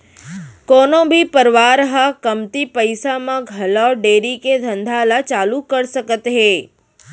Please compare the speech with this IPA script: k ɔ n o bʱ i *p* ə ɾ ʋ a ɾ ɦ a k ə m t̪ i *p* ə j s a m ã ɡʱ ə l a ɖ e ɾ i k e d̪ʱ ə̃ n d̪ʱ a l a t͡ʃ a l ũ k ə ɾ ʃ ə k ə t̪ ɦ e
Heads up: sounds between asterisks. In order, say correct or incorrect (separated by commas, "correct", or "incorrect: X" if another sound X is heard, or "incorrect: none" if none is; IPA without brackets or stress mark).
correct, correct